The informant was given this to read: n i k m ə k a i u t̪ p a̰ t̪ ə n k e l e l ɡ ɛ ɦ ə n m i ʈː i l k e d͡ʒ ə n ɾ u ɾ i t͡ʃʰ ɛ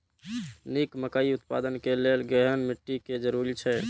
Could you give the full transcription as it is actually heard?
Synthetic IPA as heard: n i k m ə k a i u t̪ p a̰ d̪ ə n k e l e l ɡ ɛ ɦ ə n m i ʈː i k e d͡ʒ ə ɾ u ɾ i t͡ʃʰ ɛ